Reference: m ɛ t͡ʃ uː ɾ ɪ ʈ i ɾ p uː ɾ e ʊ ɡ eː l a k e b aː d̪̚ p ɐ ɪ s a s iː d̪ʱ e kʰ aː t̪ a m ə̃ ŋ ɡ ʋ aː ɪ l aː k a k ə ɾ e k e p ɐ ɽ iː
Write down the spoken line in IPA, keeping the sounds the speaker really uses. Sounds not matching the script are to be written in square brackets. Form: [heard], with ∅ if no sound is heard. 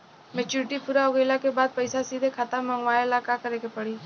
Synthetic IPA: m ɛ t͡ʃ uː ɾ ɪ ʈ i [∅] p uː ɾ [a] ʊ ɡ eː l a k e b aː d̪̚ p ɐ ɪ s a s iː d̪ʱ e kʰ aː t̪ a m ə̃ ŋ ɡ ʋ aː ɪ l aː k a k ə ɾ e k e p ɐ ɽ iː

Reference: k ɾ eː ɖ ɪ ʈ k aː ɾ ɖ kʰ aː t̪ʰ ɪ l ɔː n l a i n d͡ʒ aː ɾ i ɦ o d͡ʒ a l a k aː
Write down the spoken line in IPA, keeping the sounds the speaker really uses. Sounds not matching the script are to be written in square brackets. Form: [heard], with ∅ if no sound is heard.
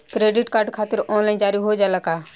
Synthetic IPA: k ɾ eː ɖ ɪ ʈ k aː ɾ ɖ kʰ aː [t̪] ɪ [ɾ] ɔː n l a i n d͡ʒ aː ɾ i ɦ o d͡ʒ a l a k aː

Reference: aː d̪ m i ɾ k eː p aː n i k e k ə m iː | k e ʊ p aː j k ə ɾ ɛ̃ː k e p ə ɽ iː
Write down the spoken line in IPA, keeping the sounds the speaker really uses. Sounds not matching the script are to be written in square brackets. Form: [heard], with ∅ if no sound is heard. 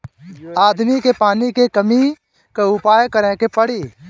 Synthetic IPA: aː d̪ m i [∅] k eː p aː n i k e k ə m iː | k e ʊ p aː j k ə ɾ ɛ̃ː k e p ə ɽ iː

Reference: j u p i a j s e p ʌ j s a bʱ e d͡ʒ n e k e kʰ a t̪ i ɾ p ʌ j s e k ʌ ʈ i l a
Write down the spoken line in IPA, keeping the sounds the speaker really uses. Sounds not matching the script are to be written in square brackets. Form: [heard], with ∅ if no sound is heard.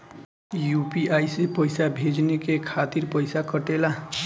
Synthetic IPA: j u p i a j s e p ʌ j s a bʱ e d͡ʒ n e k e kʰ a t̪ i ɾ p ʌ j s [a] k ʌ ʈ [e] l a

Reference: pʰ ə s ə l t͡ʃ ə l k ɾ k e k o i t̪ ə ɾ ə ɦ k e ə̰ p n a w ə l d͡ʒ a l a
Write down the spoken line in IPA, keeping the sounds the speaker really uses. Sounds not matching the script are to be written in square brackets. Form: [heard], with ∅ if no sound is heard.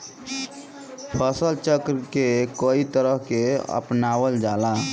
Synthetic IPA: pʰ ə s ə l t͡ʃ ə [∅] k ɾ k e k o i t̪ ə ɾ ə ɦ k e ə̰ p n a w ə l d͡ʒ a l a

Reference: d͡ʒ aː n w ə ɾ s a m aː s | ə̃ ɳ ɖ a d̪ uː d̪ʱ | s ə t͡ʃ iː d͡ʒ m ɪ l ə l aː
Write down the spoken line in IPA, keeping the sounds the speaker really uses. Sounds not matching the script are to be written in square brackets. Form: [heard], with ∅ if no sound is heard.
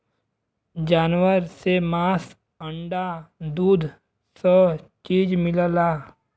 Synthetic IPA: d͡ʒ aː n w ə ɾ s [e] m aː s | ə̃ ɳ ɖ a d̪ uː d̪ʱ | s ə t͡ʃ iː d͡ʒ m ɪ l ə l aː

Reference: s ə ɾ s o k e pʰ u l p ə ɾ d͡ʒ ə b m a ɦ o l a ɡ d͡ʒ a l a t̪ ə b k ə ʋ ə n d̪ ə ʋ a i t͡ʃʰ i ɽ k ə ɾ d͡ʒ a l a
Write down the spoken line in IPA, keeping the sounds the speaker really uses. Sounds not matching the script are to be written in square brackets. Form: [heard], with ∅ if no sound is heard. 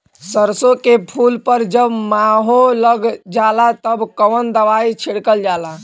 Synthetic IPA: s ə ɾ s o k e pʰ u l p ə ɾ d͡ʒ ə b m a ɦ o l [ə] ɡ d͡ʒ a l a t̪ ə b k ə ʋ ə n d̪ ə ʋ a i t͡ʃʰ i ɽ k ə [l] d͡ʒ a l a

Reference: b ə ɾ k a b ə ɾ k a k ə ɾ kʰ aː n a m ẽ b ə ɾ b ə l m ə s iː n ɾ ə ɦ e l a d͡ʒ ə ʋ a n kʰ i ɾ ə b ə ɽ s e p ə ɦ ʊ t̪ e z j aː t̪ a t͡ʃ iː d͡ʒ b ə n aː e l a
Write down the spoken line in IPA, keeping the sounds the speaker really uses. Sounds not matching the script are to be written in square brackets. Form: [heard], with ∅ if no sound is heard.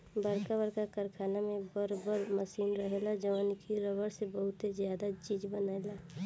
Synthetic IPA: b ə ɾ k a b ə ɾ k a k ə ɾ kʰ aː n a m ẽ b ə ɾ b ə [ɾ] m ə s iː n ɾ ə ɦ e l a d͡ʒ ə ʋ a n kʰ i ɾ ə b ə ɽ s e [b] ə ɦ ʊ t̪ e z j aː [d̪] a t͡ʃ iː d͡ʒ b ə n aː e l a

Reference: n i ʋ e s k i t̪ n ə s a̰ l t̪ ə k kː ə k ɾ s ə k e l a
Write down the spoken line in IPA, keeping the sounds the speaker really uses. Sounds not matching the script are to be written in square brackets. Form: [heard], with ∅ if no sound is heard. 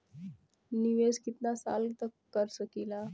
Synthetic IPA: n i ʋ e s k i t̪ n [a] s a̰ l t̪ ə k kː ə [∅] ɾ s ə k [i] l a

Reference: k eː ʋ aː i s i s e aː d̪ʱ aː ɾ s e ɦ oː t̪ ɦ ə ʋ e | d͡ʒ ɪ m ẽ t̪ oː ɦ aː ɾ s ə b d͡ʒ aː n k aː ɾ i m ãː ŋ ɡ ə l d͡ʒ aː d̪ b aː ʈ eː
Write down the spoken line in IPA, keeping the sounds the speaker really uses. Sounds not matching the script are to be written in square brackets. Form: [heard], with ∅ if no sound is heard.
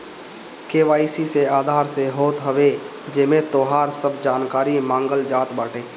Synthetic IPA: k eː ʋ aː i s i s e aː d̪ʱ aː ɾ s e ɦ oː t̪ ɦ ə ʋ e | d͡ʒ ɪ m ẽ t̪ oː ɦ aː ɾ s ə b d͡ʒ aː n k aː ɾ i m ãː ŋ ɡ ə l d͡ʒ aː [t̪] b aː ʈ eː

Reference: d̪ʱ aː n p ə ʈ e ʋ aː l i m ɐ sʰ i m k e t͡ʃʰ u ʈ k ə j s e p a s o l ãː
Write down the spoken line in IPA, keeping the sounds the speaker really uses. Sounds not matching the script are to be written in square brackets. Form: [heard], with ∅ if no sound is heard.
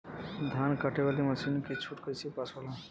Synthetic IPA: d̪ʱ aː n [k] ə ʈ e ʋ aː l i m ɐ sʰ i [n] k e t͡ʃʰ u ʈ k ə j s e p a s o l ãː

